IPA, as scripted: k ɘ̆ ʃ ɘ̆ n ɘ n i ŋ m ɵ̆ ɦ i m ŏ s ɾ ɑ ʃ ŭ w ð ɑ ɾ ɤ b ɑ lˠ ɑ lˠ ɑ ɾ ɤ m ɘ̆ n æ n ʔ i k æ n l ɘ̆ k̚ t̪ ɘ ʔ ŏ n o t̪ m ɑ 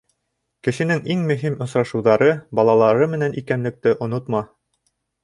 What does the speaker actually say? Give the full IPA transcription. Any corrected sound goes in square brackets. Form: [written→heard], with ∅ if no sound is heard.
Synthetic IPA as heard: k ɘ̆ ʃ ɘ̆ n ɘ [n→ŋ] i ŋ m ɵ̆ ɦ i m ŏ s ɾ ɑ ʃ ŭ w ð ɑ ɾ ɤ b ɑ lˠ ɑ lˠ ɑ ɾ ɤ m ɘ̆ n æ n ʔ i k æ n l ɘ̆ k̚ t̪ ɘ ʔ ŏ n o t̪ m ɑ